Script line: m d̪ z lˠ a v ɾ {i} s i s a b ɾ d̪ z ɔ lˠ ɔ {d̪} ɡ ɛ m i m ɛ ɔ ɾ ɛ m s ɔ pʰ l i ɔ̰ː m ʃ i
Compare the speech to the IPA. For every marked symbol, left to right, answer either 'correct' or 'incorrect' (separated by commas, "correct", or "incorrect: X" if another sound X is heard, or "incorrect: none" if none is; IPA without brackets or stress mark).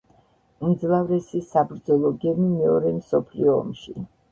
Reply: incorrect: ɛ, incorrect: none